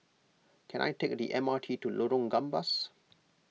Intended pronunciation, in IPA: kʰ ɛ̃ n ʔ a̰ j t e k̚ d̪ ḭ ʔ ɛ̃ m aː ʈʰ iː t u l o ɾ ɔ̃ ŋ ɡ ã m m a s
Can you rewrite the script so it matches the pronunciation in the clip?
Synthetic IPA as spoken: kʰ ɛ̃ n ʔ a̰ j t e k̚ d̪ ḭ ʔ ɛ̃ m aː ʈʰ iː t u l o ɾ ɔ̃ ŋ ɡ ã m b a s